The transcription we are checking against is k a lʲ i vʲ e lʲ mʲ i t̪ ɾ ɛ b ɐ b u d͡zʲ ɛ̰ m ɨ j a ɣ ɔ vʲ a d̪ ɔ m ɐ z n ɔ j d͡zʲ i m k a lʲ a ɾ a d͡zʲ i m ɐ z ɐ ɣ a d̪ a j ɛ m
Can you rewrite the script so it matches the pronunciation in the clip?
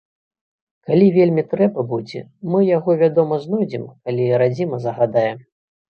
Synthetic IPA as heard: k a lʲ i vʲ e lʲ mʲ i t̪ ɾ ɛ b ɐ b u d͡zʲ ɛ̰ m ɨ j a ɣ ɔ vʲ a d̪ ɔ m ɐ z n ɔ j d͡zʲ i m k a lʲ i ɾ a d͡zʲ i m ɐ z ɐ ɣ a d̪ a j ɛ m

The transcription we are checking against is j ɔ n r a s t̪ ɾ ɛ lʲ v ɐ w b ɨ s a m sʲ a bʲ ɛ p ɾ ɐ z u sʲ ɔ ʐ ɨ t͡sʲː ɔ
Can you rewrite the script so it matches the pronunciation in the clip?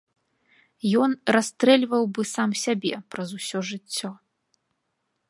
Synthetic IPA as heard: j ɔ n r a s t̪ ɾ ɛ lʲ v ɐ w b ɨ s a m sʲ a bʲ ɛ p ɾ ɐ z u sʲ ɔ ʐ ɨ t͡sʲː ɔ

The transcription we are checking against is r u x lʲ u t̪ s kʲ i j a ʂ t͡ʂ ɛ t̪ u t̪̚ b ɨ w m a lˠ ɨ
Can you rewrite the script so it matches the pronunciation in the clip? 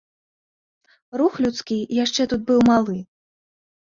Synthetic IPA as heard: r u x lʲ u t̪ s kʲ i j a ʂ t͡ʂ ɛ t̪ u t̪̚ b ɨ w m a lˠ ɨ

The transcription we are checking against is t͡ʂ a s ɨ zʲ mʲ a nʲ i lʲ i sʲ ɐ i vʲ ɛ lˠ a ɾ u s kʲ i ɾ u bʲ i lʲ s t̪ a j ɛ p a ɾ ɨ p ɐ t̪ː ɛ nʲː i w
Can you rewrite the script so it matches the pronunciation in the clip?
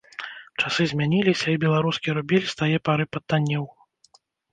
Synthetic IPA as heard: t͡ʂ a s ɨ zʲ mʲ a nʲ i lʲ i sʲ ɐ i bʲ ɛ lˠ a ɾ u s kʲ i ɾ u bʲ i lʲ s t̪ a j ɛ p a ɾ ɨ p ɐ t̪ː a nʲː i w

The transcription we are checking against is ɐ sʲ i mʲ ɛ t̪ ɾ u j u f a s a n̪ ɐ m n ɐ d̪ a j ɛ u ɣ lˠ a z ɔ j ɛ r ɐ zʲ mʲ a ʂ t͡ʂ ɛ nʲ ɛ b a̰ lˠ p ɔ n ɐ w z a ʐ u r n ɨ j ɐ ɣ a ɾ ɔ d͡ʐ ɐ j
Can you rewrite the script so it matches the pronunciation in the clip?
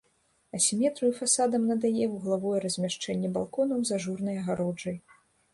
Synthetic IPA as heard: ɐ sʲ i mʲ ɛ t̪ ɾ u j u f a s a d̪ ɐ m n ɐ d̪ a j ɛ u ɣ lˠ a v ɔ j ɛ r ɐ zʲ mʲ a ʂ t͡ʂ ɛ nʲː ɛ b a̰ lˠ k ɔ n ɐ w z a ʐ u r n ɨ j ɐ ɣ a ɾ ɔ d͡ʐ ɐ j

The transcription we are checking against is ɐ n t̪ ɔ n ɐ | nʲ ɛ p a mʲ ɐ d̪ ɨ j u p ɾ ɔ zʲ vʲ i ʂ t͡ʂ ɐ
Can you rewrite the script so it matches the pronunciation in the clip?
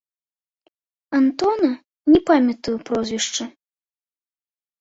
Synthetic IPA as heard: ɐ n t̪ ɔ n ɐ | nʲ ɛ p a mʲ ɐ t̪ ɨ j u p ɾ ɔ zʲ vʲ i ʂ t͡ʂ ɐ

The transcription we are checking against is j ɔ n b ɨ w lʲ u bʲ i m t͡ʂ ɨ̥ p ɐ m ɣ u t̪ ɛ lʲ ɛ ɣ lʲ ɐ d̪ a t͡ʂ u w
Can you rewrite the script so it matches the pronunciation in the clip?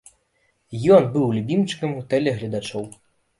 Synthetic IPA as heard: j ɔ n b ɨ w lʲ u bʲ i m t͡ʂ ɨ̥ k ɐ m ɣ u t̪ ɛ lʲ ɛ ɣ lʲ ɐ d̪ a t͡ʂ ɔ w

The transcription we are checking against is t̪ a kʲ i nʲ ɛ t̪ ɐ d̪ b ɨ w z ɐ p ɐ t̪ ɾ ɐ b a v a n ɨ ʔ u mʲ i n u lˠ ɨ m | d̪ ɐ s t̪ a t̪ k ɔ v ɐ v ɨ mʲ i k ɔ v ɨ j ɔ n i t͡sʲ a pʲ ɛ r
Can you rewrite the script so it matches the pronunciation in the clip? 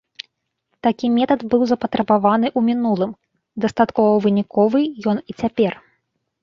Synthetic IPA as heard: t̪ a kʲ i mʲ ɛ t̪ ɐ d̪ b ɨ w z ɐ p ɐ t̪ ɾ ɐ b a v a n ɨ ʔ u mʲ i n u lˠ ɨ m | d̪ ɐ s t̪ a t̪ k ɔ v ɐ v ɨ nʲ i k ɔ v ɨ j ɔ n i t͡sʲ a pʲ ɛ r

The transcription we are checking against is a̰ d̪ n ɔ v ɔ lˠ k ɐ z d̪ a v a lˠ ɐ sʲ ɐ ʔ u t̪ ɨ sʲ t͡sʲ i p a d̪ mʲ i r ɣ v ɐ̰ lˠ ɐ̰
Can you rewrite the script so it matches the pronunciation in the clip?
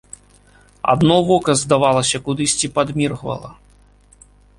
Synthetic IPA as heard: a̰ d̪ n ɔ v ɔ k ɐ z d̪ a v a lˠ ɐ sʲ ɐ k u d̪ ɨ sʲ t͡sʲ i p a d̪ mʲ i r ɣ v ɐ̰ lˠ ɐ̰

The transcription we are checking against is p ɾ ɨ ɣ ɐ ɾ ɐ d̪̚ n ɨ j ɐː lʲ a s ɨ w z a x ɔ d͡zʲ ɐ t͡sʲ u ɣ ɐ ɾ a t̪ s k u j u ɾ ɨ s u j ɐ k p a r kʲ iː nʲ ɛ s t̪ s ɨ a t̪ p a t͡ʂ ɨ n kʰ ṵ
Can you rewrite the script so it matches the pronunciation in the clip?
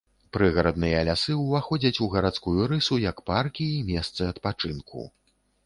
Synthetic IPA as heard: p ɾ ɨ ɣ ɐ ɾ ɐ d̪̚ n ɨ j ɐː lʲ a s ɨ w v a x ɔ d͡zʲ ɐ t͡sʲ u ɣ ɐ ɾ a t̪ s k u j u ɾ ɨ s u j ɐ k p a r kʲ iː mʲ ɛ s t̪ s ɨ ɐ t̪ p a t͡ʂ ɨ n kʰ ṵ

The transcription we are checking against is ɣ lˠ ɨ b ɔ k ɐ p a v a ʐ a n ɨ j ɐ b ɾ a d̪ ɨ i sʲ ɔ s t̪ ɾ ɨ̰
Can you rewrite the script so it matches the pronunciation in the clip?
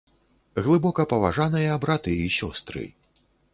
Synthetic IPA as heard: ɣ lˠ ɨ b ɔ k ɐ p ɐ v a ʐ a n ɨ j ɐ b ɾ a t̪ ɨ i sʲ ɔ s t̪ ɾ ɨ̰

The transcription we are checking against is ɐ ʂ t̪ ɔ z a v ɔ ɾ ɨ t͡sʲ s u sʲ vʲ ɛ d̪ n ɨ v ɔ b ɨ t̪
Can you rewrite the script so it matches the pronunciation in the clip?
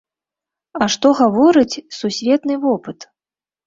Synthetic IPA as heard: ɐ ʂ t̪ ɔ ɣ a v ɔ ɾ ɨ t͡sʲ s u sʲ vʲ ɛ t̪ n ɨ v ɔ p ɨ t̪

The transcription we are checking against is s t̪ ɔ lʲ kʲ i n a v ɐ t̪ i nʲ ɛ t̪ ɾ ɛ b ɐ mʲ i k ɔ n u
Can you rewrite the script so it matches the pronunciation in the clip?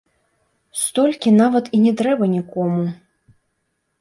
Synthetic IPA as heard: s t̪ ɔ lʲ kʲ i n a v ɐ t̪ i nʲ ɛ t̪ ɾ ɛ b ɐ nʲ i k ɔ m u

